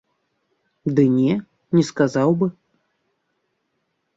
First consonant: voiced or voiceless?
voiced